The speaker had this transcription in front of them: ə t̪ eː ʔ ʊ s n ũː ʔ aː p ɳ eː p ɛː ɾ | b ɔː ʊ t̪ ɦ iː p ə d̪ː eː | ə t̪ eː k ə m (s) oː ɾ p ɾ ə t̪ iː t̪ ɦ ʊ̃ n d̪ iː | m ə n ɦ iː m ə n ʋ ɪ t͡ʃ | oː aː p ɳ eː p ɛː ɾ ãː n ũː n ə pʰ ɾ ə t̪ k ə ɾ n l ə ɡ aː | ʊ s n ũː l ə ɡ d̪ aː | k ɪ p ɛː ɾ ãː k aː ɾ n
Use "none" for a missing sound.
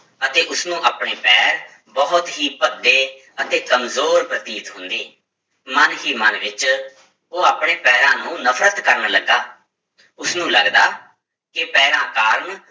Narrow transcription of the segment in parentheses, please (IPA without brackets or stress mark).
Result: z